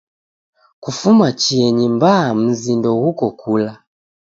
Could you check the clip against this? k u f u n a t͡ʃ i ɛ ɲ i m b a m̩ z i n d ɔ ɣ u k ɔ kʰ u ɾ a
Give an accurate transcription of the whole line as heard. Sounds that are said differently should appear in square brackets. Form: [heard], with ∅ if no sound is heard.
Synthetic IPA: k u f u [m] a t͡ʃ i ɛ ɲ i m b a m̩ z i n d ɔ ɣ u k ɔ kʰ u [l] a